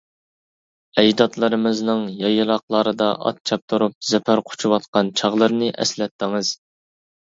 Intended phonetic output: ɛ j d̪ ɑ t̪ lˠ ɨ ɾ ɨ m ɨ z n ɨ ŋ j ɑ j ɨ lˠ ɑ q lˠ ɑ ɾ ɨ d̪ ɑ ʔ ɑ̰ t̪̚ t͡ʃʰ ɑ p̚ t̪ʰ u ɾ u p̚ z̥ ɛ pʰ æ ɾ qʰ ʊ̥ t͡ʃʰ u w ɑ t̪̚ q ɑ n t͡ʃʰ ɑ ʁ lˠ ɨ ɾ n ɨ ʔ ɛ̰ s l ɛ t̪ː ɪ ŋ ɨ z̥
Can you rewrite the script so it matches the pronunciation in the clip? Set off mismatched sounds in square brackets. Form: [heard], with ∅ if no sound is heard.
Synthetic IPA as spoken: ɛ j d̪ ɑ t̪ lˠ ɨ ɾ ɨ m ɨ z n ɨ ŋ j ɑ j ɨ lˠ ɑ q lˠ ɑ ɾ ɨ d̪ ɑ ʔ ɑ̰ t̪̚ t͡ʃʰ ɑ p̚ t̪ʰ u ɾ u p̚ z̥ ɛ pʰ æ ɾ qʰ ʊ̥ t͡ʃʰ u w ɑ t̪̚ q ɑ n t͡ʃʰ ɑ ʁ lˠ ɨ ɾ n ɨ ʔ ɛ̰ s l ɛ t̪ː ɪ ŋ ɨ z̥